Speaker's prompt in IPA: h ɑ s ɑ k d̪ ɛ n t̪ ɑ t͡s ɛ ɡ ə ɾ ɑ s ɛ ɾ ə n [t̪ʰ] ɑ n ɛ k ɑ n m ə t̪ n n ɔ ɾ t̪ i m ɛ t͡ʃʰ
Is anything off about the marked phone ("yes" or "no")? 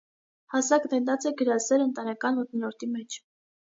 yes